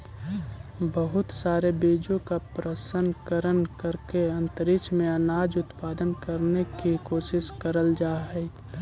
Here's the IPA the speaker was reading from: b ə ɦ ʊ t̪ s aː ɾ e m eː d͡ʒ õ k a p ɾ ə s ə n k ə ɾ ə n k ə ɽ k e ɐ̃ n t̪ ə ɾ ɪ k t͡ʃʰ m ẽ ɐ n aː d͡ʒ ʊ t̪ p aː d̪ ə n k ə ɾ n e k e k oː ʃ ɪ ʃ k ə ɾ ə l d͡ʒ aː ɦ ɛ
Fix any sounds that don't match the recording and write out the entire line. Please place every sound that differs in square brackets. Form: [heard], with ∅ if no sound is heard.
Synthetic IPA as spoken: b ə ɦ ʊ t̪ s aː ɾ e [b] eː d͡ʒ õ k a p ɾ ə s ə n k ə ɾ ə n k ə [ɾ] k e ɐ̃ n t̪ ə ɾ ɪ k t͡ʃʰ m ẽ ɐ n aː d͡ʒ ʊ t̪ p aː d̪ ə n k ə ɾ n e k [i] k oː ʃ ɪ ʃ k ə ɾ ə l d͡ʒ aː ɦ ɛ